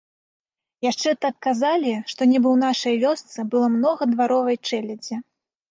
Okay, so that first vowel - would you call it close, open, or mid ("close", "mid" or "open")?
open